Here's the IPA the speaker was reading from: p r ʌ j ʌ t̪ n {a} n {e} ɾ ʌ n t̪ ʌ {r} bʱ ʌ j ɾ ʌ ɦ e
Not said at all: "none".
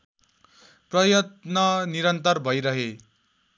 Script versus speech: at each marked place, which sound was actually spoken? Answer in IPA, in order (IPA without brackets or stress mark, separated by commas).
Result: ʌ, i, r